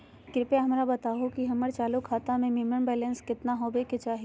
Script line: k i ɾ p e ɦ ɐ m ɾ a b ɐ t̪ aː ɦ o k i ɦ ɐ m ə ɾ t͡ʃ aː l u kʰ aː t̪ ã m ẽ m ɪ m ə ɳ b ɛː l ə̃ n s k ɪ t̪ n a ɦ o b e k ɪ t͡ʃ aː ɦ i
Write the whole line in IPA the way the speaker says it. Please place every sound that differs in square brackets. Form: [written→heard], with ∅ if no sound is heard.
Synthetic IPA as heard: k [i→ɪ] ɾ p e ɦ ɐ m ɾ a b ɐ t̪ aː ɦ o k i ɦ ɐ m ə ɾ t͡ʃ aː l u kʰ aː t̪ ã m ẽ m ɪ m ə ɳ b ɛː l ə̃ n s k ɪ t̪ n a ɦ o b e k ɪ t͡ʃ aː ɦ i